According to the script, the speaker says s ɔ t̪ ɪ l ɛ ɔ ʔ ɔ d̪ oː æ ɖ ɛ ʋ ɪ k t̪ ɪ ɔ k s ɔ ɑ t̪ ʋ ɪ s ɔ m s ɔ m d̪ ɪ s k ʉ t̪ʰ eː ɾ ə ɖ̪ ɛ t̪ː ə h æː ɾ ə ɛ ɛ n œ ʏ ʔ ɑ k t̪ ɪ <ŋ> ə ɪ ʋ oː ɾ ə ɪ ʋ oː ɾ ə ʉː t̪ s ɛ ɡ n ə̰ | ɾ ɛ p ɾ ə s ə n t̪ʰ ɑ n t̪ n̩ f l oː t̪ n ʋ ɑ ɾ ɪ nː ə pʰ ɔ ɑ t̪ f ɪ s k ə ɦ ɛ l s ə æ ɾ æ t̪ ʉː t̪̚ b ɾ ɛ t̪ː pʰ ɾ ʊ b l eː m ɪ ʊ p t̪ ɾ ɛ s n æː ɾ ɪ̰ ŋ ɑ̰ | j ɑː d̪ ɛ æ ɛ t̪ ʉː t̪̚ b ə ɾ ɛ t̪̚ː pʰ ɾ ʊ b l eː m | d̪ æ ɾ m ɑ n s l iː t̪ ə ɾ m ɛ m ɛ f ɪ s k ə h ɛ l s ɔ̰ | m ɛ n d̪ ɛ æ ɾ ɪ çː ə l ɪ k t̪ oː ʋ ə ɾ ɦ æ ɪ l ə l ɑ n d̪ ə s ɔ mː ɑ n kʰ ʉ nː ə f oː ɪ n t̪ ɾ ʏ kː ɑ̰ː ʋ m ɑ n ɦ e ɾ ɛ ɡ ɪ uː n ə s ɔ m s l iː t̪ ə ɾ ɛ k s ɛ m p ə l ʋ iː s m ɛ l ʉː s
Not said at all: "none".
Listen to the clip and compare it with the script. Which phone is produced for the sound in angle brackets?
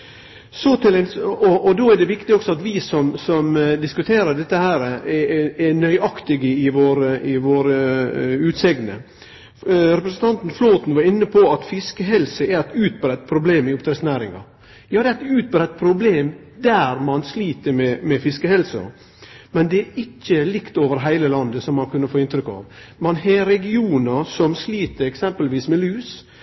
ɡ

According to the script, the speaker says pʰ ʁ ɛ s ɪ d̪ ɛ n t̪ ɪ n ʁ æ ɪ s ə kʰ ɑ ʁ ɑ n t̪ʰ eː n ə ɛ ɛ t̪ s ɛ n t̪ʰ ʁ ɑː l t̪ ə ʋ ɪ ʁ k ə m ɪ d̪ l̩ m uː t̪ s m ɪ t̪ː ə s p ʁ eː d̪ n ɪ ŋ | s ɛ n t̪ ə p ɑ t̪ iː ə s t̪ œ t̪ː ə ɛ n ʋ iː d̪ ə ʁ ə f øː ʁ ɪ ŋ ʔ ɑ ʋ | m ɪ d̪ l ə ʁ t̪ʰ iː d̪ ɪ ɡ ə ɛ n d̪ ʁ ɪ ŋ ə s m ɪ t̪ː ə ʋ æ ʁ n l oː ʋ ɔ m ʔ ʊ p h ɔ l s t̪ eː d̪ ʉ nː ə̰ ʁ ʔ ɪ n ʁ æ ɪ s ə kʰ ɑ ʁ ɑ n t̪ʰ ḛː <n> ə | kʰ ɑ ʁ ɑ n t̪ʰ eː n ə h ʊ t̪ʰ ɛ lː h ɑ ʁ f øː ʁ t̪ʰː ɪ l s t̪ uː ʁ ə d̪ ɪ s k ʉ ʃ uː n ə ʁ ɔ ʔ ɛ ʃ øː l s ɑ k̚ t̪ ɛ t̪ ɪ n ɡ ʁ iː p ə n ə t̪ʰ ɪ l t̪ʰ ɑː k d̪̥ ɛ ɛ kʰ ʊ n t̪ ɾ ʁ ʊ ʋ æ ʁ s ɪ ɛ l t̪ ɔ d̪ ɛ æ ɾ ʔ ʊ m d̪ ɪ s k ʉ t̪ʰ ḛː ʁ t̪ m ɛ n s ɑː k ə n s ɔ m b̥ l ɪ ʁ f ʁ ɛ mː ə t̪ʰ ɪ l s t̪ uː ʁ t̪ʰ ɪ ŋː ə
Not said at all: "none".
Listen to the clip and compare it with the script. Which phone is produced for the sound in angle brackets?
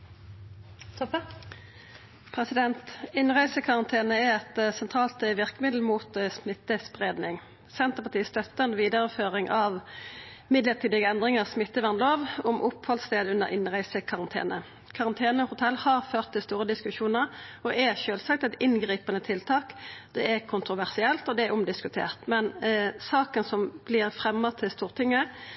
n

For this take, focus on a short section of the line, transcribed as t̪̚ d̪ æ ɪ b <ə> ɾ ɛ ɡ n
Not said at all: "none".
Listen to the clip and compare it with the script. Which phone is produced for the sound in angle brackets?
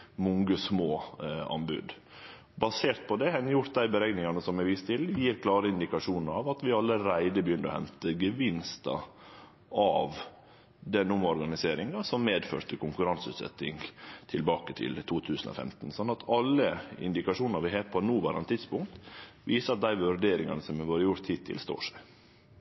ə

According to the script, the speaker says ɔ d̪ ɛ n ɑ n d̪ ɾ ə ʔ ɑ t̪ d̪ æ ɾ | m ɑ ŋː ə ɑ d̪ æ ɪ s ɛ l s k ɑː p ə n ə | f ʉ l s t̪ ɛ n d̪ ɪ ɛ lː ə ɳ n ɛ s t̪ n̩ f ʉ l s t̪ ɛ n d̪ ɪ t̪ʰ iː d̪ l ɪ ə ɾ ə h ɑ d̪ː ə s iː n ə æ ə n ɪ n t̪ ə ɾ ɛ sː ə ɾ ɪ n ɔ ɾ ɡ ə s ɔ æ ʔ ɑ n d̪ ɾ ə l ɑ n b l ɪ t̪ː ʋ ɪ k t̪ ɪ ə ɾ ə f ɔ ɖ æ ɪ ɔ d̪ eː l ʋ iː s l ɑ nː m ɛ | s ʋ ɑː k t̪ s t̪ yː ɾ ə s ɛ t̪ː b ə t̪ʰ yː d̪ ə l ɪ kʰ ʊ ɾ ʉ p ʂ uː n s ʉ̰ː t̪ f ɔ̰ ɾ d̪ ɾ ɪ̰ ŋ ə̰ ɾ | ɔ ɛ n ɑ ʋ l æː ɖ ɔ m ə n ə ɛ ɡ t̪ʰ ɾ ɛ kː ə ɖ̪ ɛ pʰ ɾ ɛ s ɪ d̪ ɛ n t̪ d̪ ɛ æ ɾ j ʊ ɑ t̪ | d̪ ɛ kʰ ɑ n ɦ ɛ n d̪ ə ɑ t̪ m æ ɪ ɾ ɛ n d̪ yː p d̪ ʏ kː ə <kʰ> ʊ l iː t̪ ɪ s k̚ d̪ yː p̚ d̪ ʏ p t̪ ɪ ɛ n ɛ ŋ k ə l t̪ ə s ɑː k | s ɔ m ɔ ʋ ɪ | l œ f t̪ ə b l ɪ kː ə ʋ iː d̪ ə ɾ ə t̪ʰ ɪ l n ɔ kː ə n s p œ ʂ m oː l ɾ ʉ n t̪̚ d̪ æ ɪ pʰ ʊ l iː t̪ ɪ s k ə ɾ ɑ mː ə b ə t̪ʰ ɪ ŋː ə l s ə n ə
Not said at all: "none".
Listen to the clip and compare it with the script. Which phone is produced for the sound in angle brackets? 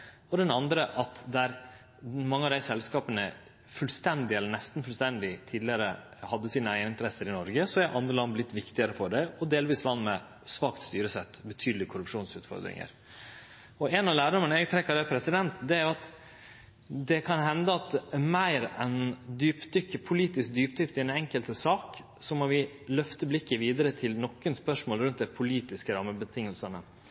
pʰ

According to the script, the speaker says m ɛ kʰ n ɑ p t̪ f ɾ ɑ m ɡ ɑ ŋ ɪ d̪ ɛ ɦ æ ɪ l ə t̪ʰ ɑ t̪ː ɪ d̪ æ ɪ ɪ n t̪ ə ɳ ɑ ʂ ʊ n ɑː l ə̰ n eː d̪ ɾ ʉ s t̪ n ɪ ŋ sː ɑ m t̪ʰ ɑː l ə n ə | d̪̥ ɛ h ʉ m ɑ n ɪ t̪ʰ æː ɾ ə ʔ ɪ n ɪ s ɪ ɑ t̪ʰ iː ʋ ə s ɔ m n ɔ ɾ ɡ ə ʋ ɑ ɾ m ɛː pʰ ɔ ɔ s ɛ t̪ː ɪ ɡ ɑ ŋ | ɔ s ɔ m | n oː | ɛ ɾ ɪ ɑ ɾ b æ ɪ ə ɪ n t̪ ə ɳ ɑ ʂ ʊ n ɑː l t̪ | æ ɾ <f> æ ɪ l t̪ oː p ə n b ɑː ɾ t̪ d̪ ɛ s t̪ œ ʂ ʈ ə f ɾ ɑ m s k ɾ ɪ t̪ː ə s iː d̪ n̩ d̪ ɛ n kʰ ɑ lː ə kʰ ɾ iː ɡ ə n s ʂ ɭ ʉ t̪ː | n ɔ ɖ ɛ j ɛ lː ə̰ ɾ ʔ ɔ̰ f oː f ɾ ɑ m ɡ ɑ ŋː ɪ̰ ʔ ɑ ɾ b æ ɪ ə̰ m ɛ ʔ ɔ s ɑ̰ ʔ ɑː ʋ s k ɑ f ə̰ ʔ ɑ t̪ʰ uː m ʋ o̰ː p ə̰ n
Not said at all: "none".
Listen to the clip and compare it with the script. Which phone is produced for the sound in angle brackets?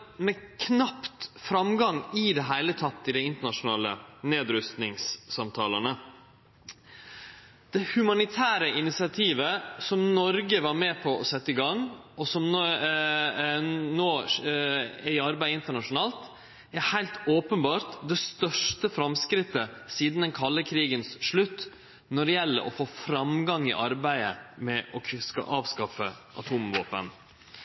h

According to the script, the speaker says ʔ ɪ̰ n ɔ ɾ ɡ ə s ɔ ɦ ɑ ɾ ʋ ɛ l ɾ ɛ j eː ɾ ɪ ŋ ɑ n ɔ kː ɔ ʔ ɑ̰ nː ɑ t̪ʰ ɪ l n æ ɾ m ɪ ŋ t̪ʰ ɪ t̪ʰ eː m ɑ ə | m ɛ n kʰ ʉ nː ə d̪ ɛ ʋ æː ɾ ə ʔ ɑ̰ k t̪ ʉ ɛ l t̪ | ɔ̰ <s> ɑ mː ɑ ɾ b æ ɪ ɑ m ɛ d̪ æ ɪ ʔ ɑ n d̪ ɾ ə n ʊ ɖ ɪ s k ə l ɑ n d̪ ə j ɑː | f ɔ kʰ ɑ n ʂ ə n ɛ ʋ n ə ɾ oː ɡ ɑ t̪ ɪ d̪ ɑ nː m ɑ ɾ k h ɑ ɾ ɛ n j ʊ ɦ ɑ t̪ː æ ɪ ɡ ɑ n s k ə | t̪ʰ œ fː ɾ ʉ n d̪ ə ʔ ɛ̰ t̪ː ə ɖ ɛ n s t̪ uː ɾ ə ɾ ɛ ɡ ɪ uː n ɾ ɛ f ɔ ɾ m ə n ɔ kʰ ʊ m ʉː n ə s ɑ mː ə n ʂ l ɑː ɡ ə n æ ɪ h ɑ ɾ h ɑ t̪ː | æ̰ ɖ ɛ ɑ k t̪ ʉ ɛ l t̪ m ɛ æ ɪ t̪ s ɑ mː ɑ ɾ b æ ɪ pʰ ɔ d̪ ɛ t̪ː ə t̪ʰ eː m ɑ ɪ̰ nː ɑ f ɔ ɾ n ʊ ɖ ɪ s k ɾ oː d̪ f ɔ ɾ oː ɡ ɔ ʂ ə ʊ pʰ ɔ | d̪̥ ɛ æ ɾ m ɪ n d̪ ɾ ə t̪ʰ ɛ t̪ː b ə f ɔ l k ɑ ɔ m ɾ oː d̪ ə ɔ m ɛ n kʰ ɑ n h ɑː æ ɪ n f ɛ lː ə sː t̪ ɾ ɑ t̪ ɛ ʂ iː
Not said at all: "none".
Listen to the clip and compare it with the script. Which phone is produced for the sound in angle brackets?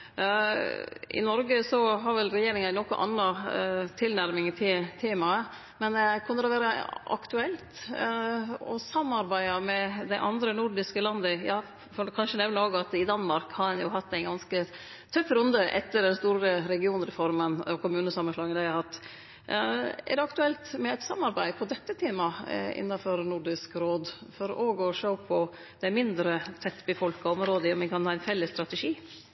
s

